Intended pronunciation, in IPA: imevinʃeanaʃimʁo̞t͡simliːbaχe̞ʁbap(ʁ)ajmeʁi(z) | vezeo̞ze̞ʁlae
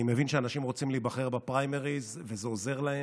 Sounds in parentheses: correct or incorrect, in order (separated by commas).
correct, correct